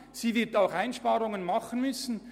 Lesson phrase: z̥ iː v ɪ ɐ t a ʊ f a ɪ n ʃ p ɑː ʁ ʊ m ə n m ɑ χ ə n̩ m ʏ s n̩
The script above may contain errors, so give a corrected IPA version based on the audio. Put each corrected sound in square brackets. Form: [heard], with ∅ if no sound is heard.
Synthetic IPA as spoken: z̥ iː v ɪ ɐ t a ʊ [x] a ɪ n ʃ p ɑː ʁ ʊ [ŋ] ə n m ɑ χ ə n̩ m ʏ s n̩